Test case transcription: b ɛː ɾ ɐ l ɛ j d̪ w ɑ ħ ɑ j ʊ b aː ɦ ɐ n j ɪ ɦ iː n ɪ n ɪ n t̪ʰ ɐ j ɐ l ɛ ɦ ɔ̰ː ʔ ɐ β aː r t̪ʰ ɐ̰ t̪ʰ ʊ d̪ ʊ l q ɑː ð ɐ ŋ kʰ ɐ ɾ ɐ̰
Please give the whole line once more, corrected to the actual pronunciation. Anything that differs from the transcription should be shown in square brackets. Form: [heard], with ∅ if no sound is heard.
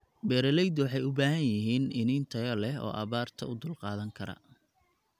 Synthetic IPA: b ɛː ɾ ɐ l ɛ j d̪ w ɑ ħ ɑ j ʊ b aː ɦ ɐ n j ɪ ɦ iː n ɪ n ɪ n t̪ʰ ɐ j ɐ l ɛ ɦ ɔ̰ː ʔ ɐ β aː r t̪ʰ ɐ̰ [∅] ʊ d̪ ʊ l q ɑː ð ɐ ŋ kʰ ɐ ɾ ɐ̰

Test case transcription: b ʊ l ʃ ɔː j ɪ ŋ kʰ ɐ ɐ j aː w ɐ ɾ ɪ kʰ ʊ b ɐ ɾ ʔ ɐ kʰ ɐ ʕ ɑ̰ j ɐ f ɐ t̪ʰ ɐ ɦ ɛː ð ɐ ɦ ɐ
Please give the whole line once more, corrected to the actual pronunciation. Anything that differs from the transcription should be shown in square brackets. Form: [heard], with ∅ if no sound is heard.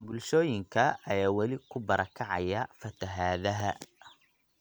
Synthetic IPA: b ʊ l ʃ ɔː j ɪ ŋ kʰ ɐ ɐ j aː w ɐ [l] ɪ kʰ ʊ b ɐ ɾ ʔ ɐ kʰ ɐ ʕ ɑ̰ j ɐ f ɐ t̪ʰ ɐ ɦ [aː] ð ɐ ɦ ɐ

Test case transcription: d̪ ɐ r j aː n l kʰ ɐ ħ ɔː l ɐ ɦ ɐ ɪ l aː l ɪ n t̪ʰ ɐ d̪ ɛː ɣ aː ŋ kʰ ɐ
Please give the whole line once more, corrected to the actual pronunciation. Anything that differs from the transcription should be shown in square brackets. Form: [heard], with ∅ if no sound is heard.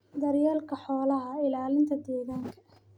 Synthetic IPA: d̪ ɐ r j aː [∅] l kʰ ɐ ħ ɔː l ɐ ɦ ɐ ɪ l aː l ɪ n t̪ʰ ɐ d̪ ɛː ɣ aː ŋ kʰ ɐ

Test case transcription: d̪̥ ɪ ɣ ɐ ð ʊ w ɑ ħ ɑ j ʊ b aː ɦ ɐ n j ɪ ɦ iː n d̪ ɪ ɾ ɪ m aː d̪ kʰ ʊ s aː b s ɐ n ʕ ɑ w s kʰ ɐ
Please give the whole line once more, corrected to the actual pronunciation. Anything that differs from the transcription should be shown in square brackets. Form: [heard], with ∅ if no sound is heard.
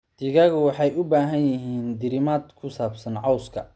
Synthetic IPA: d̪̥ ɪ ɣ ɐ [ɣ] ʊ w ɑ ħ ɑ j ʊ b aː ɦ ɐ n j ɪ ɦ iː n d̪ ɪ ɾ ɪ m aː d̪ kʰ ʊ s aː b s ɐ n ʕ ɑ w s kʰ ɐ

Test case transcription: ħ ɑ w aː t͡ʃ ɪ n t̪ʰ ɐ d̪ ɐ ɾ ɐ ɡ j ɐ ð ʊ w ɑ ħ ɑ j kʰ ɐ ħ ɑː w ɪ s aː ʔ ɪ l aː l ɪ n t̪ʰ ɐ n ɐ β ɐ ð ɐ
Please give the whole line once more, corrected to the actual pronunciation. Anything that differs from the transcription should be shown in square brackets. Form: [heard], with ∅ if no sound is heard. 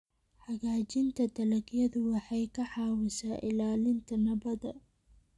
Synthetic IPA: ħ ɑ [ɣ] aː t͡ʃ ɪ n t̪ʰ ɐ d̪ ɐ [l] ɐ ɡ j ɐ ð ʊ w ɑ ħ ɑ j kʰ ɐ ħ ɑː w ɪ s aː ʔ ɪ l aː l ɪ n t̪ʰ ɐ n ɐ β ɐ ð ɐ

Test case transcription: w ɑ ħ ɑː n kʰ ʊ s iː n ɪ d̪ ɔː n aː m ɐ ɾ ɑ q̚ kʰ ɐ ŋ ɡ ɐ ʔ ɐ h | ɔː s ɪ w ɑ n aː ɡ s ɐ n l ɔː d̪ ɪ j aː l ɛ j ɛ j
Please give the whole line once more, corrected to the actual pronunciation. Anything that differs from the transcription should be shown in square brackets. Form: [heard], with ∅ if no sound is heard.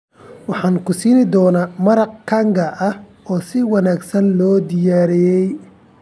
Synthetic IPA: w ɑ ħ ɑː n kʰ ʊ s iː n ɪ d̪ ɔː n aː m ɐ ɾ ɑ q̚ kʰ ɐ ŋ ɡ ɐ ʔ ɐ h | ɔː s ɪ w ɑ n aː ɡ s ɐ n l ɔː d̪ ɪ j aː [ɾ] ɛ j ɛ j

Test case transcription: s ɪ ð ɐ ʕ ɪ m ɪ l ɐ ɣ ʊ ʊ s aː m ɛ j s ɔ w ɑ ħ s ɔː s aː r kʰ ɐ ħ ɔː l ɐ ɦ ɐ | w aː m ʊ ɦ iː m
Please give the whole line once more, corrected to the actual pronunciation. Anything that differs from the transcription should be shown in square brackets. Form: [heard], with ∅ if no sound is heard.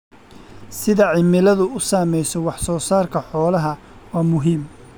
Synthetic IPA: s ɪ ð ɐ ʕ ɪ m ɪ l ɐ [ð] ʊ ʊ s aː m ɛ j s ɔ w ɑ ħ s ɔː s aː r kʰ ɐ ħ ɔː l ɐ ɦ ɐ | w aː m ʊ ɦ iː m

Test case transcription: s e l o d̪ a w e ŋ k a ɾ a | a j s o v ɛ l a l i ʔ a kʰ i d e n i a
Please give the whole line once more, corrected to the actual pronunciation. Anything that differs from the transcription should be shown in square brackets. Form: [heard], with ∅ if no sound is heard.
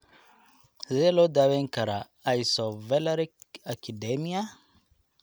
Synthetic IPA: [z] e l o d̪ a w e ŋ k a ɾ a | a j s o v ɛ l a [ɾ] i [k] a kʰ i d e [m] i a

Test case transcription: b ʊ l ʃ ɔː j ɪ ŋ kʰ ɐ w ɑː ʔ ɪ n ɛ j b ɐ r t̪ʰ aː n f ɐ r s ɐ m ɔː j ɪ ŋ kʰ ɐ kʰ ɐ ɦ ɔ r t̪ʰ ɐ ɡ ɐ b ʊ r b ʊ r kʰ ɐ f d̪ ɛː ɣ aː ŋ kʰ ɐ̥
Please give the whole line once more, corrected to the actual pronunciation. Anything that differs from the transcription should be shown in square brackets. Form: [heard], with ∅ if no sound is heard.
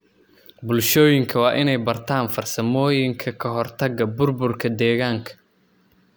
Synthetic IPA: b ʊ l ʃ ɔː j ɪ ŋ kʰ ɐ w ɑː ʔ ɪ n ɛ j b ɐ r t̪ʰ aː n f ɐ r s ɐ m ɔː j ɪ ŋ kʰ ɐ kʰ ɐ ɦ ɔ r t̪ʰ ɐ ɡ ɐ b ʊ r b ʊ r kʰ ɐ [∅] d̪ ɛː ɣ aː ŋ kʰ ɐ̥

